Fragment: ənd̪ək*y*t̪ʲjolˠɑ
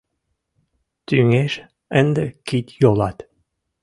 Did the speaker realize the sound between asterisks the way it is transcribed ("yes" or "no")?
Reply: no